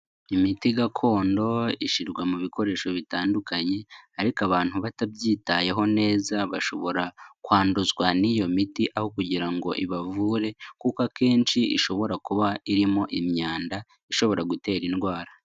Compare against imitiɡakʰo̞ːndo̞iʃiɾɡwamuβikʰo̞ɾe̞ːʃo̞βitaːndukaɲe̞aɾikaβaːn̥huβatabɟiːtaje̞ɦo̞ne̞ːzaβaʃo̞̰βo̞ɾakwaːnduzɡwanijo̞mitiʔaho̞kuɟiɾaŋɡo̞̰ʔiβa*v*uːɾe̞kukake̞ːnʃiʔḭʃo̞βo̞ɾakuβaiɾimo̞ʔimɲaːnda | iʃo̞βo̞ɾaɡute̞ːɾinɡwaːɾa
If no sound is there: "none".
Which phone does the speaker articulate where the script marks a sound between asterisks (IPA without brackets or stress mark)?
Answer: v